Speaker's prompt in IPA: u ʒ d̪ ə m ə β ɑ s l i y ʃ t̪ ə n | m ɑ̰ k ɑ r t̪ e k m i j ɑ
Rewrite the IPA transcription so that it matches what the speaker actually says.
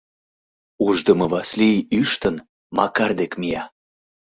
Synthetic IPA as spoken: u ʒ d̪ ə m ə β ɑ s l i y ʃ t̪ ə n | m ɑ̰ k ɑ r d̪ e k m i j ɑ